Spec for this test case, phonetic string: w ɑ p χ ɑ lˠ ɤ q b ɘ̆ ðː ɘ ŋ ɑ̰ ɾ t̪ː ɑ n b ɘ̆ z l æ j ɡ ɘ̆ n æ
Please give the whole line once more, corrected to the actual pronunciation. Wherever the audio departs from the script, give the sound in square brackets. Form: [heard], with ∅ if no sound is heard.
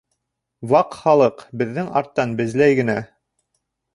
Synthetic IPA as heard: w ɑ [q] χ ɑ lˠ ɤ q b ɘ̆ ðː ɘ ŋ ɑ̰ ɾ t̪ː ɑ n b ɘ̆ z l æ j ɡ ɘ̆ n æ

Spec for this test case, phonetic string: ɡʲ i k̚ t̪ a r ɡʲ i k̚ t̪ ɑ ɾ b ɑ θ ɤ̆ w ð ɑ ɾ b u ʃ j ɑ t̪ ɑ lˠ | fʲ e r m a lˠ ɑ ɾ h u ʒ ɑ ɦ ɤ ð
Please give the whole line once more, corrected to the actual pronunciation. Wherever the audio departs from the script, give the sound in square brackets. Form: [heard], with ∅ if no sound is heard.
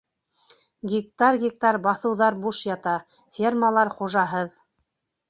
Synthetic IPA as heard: ɡʲ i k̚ t̪ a r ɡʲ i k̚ t̪ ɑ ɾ b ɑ θ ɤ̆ w ð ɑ ɾ b u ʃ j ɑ t̪ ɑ [∅] | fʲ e r m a lˠ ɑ ɾ [χ] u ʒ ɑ ɦ ɤ ð

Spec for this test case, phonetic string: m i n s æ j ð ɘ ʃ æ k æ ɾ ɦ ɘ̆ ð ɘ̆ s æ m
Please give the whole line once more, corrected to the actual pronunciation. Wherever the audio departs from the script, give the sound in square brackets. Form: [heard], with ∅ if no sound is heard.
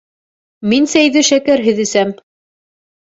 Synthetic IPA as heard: m i n s æ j ð ɘ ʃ æ k æ ɾ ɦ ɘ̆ ð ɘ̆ s æ m

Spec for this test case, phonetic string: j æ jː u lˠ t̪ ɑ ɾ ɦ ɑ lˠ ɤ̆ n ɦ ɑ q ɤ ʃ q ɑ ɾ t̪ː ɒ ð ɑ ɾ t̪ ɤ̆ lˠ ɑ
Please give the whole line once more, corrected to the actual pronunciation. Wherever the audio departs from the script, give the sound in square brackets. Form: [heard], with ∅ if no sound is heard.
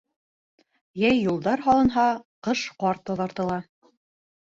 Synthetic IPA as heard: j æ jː u lˠ [d̪] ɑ ɾ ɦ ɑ lˠ ɤ̆ n ɦ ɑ q ɤ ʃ q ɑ ɾ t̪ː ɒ ð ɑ ɾ t̪ ɤ̆ lˠ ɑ

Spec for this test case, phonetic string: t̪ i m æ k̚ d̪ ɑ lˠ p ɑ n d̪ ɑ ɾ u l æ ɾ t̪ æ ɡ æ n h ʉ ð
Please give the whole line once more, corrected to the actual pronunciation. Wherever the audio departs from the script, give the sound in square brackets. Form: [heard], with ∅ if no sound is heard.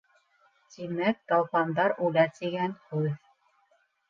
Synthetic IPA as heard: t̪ i m æ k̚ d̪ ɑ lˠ p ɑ n d̪ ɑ ɾ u l æ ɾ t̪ [i] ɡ æ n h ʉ ð

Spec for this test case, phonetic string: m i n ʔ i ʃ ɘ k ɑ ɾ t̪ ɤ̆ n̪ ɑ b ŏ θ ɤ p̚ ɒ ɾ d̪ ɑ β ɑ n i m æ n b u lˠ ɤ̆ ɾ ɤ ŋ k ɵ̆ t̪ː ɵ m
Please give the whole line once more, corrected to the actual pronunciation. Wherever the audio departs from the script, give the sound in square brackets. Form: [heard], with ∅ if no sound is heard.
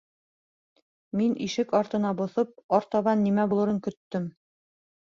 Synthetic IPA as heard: m i n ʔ i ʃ ɘ k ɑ ɾ t̪ ɤ̆ n̪ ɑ b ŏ θ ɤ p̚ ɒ ɾ [t̪] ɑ β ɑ [nː] i m æ [∅] b u lˠ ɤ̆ ɾ ɤ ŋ k ɵ̆ t̪ː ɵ m

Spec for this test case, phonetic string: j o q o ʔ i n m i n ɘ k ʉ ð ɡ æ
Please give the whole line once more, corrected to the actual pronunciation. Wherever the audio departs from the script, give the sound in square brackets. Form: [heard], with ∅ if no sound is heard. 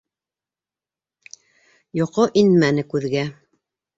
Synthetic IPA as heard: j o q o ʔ i n m [æ] n ɘ k ʉ ð ɡ æ

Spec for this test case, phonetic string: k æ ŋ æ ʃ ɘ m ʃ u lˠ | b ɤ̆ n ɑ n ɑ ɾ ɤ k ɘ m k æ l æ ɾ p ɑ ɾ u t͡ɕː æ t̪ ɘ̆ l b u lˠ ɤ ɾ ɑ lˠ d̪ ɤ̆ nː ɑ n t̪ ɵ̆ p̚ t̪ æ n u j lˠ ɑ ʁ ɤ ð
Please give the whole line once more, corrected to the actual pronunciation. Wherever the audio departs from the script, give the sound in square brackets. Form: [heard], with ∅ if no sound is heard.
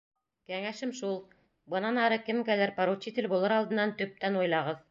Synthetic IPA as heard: k æ ŋ æ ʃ ɘ m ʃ u lˠ | b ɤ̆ n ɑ n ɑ ɾ ɤ k ɘ m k æ l æ ɾ p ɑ ɾ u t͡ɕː [i] t̪ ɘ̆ l b u lˠ ɤ ɾ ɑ lˠ d̪ ɤ̆ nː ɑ n t̪ ɵ̆ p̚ t̪ æ n u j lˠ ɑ ʁ ɤ ð

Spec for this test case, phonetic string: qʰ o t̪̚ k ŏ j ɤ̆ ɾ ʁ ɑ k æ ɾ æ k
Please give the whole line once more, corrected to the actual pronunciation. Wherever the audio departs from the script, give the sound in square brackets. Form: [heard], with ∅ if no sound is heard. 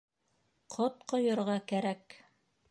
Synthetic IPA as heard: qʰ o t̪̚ [q] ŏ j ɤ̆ ɾ ʁ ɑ k æ ɾ æ k

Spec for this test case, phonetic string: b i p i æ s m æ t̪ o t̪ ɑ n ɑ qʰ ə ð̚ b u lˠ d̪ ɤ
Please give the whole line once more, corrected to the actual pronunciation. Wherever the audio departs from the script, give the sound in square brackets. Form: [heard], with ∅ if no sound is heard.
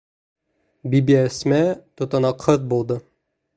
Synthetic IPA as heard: b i [b] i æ s m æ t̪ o t̪ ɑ n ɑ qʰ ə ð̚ b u lˠ d̪ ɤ

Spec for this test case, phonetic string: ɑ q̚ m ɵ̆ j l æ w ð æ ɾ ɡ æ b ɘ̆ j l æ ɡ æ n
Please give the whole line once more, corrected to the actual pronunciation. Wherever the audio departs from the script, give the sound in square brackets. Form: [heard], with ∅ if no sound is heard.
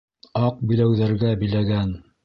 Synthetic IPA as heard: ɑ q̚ [b] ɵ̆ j l æ w ð æ ɾ ɡ æ b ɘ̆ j l æ ɡ æ n

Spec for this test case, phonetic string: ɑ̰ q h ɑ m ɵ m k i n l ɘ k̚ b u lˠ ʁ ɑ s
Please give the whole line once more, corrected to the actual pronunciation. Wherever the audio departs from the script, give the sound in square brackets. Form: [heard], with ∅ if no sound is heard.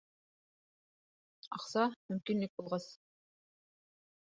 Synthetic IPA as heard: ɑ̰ q [s] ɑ m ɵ m k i n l ɘ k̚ b u lˠ ʁ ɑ s

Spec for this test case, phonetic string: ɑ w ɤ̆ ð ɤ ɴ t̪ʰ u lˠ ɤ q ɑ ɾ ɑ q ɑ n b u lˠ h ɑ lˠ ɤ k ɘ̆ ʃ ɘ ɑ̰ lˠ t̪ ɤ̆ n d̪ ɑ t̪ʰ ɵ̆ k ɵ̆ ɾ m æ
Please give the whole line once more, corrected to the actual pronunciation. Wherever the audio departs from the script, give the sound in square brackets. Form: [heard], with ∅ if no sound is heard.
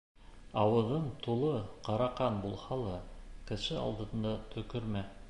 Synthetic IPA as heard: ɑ w ɤ̆ ð ɤ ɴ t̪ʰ u lˠ ɤ q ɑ ɾ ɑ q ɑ n b u lˠ h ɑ lˠ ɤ k ɘ̆ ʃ ɘ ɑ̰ lˠ [d̪] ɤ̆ n d̪ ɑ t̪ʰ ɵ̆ k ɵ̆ ɾ m æ

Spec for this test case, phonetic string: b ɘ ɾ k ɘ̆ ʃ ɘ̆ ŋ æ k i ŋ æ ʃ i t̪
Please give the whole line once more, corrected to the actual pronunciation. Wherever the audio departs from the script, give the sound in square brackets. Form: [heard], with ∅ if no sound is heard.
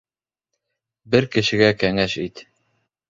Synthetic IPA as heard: b ɘ ɾ k ɘ̆ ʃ ɘ̆ [ɡ] æ k [æ] ŋ æ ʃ i t̪

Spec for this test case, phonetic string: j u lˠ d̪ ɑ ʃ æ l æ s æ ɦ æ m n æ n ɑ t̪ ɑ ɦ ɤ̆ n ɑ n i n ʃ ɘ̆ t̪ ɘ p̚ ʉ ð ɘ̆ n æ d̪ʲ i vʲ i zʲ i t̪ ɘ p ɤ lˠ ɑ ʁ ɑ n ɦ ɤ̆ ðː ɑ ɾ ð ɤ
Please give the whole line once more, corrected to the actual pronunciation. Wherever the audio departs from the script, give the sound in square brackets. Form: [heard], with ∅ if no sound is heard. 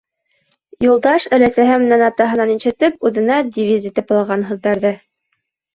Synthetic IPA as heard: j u lˠ d̪ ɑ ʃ æ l æ s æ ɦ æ m n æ n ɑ t̪ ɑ ɦ ɤ̆ n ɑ n i n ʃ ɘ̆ t̪ ɘ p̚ ʉ ð ɘ̆ n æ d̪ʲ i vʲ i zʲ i t̪ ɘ p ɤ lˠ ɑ ʁ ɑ n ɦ ɤ̆ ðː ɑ ɾ ð ɤ

